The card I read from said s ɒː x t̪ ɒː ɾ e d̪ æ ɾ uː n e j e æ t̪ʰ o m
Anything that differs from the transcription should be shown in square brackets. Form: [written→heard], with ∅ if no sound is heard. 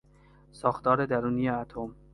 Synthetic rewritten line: s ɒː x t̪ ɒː ɾ e d̪ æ ɾ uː n [e→i] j e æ t̪ʰ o m